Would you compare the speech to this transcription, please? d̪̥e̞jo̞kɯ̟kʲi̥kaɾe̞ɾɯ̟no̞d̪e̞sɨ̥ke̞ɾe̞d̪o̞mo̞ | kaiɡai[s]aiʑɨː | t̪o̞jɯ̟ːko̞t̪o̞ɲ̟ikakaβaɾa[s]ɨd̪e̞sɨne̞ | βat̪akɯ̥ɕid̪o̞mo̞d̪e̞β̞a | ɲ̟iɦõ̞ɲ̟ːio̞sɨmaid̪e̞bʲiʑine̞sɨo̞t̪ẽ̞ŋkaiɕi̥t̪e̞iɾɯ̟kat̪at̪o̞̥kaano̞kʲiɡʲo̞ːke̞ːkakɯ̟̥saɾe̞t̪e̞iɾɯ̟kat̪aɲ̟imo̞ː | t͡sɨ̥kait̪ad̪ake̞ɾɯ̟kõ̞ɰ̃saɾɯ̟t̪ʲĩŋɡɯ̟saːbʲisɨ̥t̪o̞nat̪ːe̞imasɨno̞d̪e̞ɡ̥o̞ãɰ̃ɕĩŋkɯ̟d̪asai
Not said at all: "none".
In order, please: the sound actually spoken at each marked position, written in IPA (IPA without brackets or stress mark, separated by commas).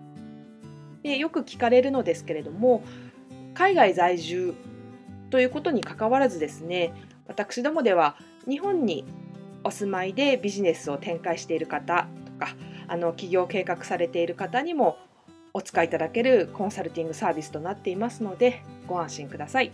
z, z